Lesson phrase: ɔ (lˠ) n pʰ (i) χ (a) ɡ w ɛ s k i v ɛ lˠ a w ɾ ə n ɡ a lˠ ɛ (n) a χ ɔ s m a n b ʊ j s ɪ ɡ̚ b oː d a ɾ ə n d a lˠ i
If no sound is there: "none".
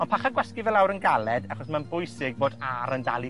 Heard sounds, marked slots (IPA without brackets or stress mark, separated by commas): none, a, a, d